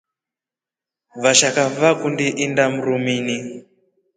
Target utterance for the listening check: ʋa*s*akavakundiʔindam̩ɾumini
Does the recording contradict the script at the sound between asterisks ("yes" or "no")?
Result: yes